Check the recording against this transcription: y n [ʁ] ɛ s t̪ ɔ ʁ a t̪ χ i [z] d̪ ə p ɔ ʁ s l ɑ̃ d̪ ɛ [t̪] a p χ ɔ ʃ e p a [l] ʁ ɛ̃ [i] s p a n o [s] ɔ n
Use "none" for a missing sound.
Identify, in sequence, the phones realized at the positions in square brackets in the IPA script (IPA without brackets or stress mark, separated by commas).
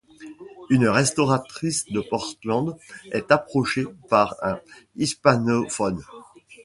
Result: ʁ, s, t̪, none, i, f